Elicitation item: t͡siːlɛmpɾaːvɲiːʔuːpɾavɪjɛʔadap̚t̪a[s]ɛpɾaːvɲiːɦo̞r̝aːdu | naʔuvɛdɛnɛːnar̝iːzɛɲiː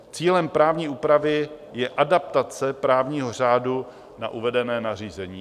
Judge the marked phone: incorrect: t͡s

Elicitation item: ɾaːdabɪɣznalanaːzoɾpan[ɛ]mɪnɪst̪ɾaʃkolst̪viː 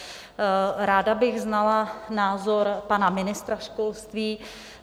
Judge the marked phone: incorrect: a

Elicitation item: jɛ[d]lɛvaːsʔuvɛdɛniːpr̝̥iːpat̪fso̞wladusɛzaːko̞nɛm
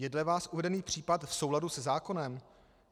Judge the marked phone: correct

